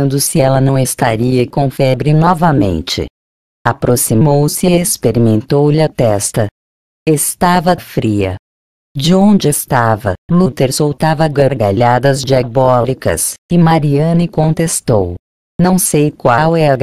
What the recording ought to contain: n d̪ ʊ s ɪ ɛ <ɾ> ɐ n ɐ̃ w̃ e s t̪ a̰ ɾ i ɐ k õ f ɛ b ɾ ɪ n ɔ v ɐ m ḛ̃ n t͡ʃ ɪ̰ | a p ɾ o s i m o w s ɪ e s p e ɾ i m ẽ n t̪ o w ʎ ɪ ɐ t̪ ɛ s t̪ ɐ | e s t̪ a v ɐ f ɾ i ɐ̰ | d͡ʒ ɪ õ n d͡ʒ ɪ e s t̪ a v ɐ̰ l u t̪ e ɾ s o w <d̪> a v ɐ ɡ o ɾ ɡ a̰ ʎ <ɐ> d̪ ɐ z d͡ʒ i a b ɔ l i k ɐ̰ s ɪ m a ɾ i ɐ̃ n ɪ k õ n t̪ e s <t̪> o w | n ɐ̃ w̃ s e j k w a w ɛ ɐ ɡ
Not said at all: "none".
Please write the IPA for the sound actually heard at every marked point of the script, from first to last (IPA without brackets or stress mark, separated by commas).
l, t̪, a, t̪